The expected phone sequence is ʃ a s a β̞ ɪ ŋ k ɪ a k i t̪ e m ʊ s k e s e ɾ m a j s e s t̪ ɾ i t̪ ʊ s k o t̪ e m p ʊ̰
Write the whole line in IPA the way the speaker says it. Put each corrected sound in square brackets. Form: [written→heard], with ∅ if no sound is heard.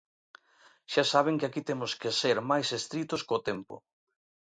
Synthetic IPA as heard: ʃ a s a β̞ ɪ ŋ k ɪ a k i t̪ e m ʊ s k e s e ɾ m a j s e s t̪ ɾ i t̪ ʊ s k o t̪ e m p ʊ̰